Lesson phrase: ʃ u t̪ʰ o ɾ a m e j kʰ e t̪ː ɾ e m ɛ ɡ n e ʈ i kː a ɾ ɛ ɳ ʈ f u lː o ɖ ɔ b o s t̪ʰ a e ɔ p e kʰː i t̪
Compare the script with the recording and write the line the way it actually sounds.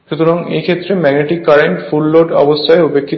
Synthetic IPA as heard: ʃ u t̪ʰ o ɾ a ŋ e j kʰ e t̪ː ɾ e m ɛ ɡ n e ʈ i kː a ɾ e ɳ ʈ f u lː o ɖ ɔ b o s t̪ʰ a e u p e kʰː i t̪